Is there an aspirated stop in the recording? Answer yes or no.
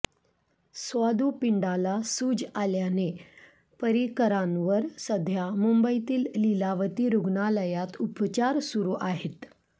no